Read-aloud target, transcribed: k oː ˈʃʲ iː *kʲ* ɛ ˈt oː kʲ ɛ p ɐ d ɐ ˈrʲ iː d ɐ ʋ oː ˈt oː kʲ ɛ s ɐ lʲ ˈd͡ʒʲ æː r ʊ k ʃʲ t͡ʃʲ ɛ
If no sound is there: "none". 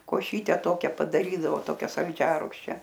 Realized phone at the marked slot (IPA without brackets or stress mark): tʲ